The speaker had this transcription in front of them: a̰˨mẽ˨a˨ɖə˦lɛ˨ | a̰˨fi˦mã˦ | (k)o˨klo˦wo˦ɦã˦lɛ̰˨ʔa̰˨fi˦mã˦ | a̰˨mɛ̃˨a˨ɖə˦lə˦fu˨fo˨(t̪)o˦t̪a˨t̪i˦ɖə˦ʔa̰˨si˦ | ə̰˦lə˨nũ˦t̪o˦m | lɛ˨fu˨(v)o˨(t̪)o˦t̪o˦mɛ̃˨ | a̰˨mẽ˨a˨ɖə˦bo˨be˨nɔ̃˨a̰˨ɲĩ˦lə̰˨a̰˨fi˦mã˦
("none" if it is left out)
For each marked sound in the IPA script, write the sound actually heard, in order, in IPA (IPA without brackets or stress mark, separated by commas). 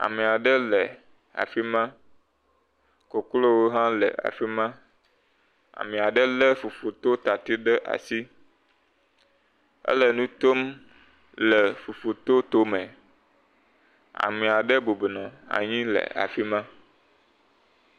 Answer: k, t̪, f, t̪